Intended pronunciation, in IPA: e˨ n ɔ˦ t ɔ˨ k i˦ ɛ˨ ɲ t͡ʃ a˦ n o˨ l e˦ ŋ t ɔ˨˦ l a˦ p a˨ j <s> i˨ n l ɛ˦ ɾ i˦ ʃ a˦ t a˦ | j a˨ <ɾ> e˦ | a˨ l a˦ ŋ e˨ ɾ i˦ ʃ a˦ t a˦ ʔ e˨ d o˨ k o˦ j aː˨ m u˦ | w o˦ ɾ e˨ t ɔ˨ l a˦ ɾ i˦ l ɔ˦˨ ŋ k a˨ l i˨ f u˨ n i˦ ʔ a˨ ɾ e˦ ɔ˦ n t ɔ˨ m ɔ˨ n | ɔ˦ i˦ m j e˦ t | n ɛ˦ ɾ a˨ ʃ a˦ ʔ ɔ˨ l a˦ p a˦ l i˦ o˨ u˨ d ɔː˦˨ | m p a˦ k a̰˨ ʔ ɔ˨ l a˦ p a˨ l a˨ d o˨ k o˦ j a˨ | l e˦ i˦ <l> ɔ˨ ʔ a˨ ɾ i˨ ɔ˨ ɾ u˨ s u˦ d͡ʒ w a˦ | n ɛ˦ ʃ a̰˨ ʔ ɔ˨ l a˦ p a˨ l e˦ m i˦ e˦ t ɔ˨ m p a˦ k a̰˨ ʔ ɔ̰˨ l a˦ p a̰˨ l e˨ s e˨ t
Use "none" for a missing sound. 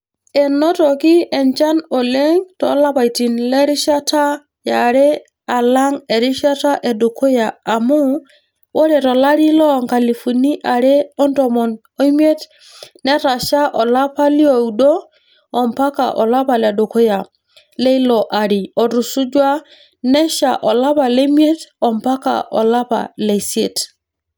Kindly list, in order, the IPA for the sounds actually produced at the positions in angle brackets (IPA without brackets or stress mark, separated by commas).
t, ɾ, l